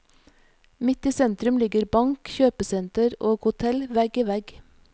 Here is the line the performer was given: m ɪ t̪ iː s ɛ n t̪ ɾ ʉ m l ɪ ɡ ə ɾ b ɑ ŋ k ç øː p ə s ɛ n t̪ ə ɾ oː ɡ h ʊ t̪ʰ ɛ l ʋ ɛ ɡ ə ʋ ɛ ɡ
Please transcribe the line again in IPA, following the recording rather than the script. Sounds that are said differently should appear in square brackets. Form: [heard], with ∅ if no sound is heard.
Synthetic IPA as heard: m ɪ t̪ iː s ɛ n t̪ ɾ ʉ m l ɪ ɡ ə ɾ b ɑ ŋ k ç øː p ə s ɛ n t̪ ə ɾ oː ɡ h ʊ t̪ʰ ɛ l ʋ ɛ ɡ ə ʋ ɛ ɡ